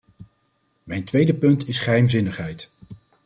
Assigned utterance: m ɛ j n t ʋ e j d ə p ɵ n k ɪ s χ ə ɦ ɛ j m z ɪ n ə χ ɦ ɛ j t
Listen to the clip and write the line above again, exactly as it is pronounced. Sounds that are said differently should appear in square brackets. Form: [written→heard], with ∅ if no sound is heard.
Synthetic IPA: m ɛ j n t ʋ e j d ə p ɵ n [k→t] ɪ s χ ə ɦ ɛ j m z ɪ n ə χ ɦ ɛ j t